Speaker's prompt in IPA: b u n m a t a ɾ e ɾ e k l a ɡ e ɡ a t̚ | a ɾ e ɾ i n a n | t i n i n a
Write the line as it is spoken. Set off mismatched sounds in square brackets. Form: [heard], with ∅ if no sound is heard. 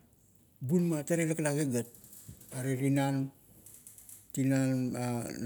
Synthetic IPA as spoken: b u n m a t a ɾ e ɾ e k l a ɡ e ɡ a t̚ | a ɾ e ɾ i n a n | t i n [a] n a